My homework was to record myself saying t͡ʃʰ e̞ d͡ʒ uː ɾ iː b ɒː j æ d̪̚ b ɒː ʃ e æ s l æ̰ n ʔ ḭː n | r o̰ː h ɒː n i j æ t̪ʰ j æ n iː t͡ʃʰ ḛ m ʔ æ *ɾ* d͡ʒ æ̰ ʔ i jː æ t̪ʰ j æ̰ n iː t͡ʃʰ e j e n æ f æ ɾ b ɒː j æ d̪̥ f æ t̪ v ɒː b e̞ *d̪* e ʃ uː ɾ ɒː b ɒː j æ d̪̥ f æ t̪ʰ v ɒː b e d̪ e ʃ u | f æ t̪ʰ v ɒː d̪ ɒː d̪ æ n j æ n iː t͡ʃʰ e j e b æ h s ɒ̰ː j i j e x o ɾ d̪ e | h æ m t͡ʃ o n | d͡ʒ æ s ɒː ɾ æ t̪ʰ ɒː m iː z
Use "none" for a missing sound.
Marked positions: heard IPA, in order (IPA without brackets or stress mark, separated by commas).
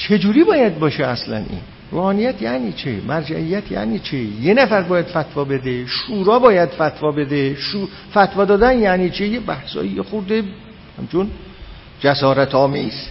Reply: ɾ, d̪